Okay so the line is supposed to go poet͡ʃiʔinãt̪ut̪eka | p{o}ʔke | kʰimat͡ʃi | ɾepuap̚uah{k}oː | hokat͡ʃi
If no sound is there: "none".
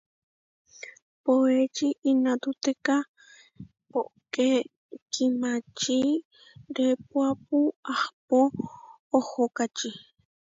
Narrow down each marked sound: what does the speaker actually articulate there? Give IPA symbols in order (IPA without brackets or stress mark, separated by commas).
o, p